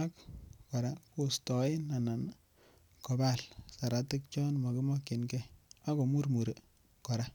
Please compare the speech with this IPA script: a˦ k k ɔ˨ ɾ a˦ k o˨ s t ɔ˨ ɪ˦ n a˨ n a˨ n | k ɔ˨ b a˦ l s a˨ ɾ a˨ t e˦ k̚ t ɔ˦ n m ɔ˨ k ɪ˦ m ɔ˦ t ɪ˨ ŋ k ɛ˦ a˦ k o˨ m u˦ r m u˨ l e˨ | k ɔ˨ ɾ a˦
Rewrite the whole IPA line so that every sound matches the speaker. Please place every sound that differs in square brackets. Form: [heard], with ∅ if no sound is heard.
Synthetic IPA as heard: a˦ k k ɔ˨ ɾ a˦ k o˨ s t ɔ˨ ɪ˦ n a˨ n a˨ n | k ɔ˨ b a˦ l s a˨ ɾ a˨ t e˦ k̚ [t͡ʃ] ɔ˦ n m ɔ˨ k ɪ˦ m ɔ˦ [k] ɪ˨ [n] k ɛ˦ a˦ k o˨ m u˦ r m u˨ [ɾ] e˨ | k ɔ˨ ɾ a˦

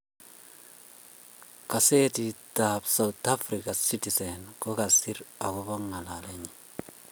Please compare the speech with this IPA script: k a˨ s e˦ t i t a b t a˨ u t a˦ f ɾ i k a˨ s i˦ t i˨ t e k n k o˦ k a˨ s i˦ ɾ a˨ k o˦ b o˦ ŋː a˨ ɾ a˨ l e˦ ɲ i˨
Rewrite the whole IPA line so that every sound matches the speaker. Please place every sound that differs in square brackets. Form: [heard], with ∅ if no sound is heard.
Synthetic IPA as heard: k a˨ s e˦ t i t a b [s] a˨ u t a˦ f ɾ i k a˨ s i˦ t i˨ [s] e [∅] n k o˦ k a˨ s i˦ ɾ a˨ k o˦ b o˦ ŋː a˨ [l] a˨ l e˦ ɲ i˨

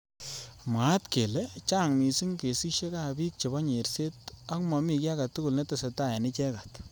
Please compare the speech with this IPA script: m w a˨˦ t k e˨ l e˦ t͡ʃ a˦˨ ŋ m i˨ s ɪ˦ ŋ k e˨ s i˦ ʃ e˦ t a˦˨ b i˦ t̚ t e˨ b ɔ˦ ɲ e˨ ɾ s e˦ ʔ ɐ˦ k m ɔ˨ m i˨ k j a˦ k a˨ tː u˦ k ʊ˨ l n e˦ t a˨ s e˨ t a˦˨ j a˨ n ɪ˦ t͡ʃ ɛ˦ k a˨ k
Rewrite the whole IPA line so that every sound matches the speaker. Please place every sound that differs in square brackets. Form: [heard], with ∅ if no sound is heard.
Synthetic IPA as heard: m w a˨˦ t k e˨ l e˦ t͡ʃ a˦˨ ŋ m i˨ s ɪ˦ ŋ k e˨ s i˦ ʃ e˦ [k] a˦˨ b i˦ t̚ [t͡ʃ] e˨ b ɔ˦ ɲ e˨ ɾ s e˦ [t] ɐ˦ k m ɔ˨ m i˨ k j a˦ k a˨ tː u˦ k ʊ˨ l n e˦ t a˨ s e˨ t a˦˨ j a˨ n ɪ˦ t͡ʃ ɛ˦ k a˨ [t]

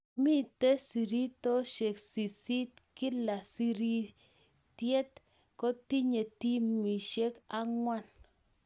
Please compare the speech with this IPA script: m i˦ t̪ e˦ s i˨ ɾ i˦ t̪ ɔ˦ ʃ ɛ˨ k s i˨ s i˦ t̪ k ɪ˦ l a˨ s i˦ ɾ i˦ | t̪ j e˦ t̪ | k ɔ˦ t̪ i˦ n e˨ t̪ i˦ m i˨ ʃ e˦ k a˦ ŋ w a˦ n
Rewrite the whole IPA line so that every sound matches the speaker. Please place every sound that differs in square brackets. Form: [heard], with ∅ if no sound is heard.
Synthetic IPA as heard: m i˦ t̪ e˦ s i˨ ɾ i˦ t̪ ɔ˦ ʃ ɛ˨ k s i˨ s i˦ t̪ k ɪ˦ l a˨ s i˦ ɾ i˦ | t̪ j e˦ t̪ | k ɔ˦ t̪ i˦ [ɲ] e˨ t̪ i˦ m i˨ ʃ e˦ k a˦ ŋ w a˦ n

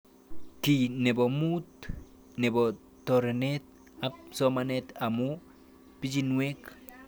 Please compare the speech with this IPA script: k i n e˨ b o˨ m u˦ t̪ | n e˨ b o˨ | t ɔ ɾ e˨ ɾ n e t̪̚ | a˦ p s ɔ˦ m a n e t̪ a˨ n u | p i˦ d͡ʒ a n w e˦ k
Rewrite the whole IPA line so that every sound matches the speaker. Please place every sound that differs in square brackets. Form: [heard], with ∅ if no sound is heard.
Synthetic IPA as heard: k i n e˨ b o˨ m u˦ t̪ | n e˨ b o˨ | t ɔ ɾ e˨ [∅] n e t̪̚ | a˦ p s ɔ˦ m a n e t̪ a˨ [m] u | p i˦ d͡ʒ [i] n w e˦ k

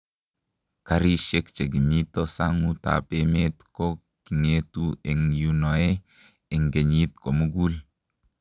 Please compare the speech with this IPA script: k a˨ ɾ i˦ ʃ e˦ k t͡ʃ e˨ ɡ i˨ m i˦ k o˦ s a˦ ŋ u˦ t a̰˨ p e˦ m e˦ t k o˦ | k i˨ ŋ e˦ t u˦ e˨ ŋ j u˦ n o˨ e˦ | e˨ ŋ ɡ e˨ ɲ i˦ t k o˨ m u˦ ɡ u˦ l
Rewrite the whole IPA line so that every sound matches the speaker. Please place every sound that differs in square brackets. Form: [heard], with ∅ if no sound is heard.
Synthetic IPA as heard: k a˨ ɾ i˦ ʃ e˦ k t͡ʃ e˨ ɡ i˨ m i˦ [t] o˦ s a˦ ŋ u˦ t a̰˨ p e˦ m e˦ t k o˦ | k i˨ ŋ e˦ t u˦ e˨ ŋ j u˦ n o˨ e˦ | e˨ ŋ ɡ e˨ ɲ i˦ t k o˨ m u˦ ɡ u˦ l

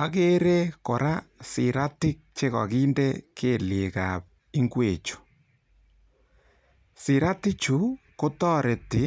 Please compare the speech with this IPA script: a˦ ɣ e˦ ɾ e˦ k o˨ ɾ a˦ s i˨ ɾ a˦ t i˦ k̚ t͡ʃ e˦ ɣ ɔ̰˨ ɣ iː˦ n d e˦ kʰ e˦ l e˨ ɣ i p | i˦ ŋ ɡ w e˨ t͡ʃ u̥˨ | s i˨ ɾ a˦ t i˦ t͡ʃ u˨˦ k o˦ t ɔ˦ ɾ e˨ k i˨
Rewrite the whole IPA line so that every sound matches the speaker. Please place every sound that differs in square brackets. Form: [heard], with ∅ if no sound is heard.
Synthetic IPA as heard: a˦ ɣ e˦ ɾ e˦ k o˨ ɾ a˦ s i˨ ɾ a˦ t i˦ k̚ t͡ʃ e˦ ɣ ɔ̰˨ ɣ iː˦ n d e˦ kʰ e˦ l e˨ ɣ [a] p | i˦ ŋ ɡ w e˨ t͡ʃ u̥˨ | s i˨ ɾ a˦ t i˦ t͡ʃ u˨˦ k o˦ t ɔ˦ ɾ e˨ [t] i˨

